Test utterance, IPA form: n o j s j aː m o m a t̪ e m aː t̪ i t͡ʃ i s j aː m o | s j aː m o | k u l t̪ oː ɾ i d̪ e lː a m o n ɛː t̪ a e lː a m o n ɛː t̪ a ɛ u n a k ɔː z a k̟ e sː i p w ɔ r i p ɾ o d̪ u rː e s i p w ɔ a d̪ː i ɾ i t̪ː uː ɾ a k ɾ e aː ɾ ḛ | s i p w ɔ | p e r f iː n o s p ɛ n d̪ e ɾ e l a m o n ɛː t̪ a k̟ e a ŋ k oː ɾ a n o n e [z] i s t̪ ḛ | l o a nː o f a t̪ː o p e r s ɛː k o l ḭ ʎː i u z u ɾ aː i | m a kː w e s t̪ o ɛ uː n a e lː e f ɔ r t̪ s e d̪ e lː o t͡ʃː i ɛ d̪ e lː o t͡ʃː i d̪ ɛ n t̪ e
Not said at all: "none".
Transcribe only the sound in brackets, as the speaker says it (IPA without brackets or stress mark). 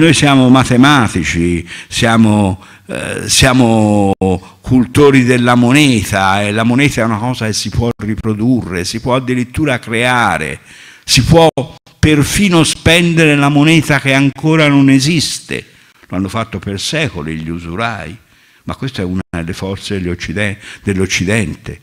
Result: z